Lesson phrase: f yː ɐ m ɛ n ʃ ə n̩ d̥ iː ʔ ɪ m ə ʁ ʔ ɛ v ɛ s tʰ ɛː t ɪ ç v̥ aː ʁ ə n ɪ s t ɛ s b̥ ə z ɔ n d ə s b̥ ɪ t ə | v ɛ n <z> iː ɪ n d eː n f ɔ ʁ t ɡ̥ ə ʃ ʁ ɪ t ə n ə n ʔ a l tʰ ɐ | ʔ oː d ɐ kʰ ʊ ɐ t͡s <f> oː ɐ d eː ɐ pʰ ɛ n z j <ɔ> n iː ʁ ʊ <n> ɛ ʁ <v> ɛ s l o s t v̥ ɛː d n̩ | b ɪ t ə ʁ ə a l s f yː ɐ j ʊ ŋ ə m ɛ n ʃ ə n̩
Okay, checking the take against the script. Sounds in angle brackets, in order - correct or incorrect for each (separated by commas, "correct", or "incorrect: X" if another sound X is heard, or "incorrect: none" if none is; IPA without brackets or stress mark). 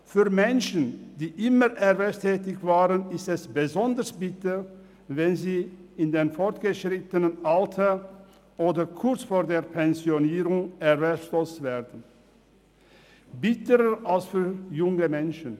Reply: correct, correct, incorrect: o, incorrect: ŋ, correct